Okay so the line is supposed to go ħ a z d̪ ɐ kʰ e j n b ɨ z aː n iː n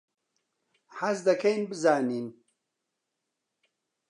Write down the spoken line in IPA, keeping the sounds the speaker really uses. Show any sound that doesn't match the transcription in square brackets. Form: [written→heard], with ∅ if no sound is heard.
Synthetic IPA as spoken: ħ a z d̪ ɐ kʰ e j n b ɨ z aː n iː n